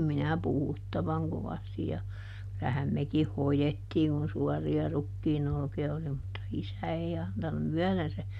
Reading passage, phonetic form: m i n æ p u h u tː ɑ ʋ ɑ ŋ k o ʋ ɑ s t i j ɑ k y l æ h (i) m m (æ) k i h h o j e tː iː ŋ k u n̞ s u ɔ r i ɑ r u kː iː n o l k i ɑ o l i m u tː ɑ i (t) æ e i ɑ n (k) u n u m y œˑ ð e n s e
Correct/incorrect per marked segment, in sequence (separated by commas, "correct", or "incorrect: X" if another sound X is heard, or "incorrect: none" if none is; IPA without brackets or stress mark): incorrect: æ, incorrect: e, incorrect: s, incorrect: t